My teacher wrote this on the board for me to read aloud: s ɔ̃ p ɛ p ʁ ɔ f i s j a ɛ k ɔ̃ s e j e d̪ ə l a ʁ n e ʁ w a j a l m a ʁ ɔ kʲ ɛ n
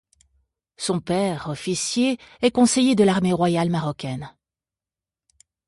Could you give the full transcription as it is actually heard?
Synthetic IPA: s ɔ̃ p ɛ ʁ ɔ f i s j e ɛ k ɔ̃ s e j e d̪ ə l a ʁ m e ʁ w a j a l m a ʁ ɔ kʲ ɛ n